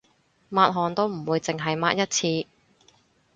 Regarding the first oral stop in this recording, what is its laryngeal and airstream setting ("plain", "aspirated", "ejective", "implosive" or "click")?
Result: plain